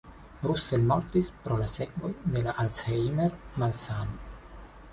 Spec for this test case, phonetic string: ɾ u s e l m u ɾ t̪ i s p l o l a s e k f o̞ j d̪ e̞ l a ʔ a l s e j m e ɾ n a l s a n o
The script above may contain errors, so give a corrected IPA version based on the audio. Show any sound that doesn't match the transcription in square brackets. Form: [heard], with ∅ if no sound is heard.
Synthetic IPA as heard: ɾ u s e l m [o] ɾ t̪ i s p [ɾ] o l a s e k [v] o̞ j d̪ e̞ l a ʔ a l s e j m e ɾ [m] a l s a n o